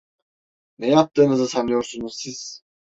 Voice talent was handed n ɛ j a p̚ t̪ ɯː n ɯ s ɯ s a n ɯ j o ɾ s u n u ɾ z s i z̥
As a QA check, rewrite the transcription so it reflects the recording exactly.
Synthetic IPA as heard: n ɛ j a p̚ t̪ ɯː n ɯ z ɯ s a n ɯ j o ɾ s u n u z s i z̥